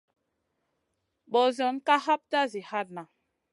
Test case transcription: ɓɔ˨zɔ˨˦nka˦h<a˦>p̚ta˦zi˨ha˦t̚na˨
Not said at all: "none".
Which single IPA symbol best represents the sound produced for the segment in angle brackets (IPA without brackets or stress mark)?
a˦